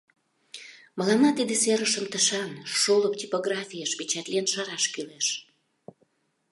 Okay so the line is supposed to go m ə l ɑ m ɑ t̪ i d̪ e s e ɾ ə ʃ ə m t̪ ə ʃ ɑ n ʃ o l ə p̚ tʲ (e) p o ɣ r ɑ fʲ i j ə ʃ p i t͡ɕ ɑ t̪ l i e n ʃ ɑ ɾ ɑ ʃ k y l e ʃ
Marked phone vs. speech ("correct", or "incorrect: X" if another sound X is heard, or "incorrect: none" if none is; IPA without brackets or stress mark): incorrect: i